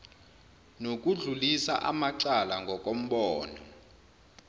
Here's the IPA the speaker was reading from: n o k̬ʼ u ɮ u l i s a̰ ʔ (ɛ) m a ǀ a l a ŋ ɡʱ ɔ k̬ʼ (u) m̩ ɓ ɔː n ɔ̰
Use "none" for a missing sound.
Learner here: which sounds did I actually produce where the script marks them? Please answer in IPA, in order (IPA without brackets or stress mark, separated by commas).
a, o